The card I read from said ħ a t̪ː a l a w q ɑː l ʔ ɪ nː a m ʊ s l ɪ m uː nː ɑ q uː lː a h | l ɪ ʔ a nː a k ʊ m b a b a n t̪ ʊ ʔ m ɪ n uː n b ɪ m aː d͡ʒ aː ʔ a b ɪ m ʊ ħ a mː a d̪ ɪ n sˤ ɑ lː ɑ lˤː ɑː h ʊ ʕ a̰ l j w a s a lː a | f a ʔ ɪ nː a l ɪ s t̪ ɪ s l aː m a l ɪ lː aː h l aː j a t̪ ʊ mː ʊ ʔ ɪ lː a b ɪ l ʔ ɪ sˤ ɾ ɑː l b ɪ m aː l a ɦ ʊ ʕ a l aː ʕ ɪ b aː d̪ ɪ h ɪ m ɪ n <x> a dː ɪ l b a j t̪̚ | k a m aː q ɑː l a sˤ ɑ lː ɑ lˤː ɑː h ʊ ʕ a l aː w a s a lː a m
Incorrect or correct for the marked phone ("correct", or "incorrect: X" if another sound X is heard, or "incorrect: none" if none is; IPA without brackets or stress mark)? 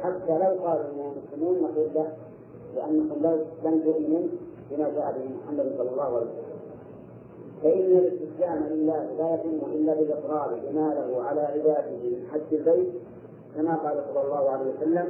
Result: incorrect: ħ